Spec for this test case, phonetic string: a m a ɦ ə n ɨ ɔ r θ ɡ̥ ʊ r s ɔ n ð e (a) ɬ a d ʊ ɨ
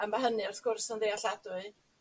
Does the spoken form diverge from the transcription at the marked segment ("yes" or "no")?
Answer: no